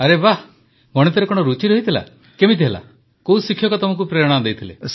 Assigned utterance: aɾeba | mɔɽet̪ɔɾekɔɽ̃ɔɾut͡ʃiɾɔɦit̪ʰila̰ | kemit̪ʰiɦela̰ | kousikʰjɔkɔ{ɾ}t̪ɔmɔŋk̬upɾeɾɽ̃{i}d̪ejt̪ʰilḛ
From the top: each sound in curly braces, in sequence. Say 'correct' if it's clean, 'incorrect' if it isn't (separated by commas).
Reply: incorrect, incorrect